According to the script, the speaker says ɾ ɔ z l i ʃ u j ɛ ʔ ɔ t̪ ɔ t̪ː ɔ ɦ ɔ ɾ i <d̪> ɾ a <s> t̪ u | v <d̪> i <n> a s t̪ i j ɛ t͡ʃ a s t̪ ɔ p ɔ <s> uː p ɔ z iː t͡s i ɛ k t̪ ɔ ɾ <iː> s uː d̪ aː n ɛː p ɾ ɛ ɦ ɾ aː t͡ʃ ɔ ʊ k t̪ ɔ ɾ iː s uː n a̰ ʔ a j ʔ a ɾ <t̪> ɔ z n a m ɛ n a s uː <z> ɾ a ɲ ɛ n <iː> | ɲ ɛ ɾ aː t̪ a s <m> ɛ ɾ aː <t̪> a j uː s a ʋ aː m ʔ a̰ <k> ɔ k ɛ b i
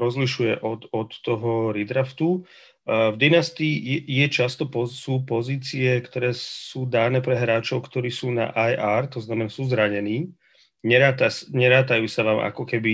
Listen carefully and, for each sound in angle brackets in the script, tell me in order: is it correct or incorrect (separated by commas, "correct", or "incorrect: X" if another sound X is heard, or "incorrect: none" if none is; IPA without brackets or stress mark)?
correct, incorrect: f, correct, correct, correct, incorrect: ɛː, correct, correct, correct, incorrect: ɲ, correct, correct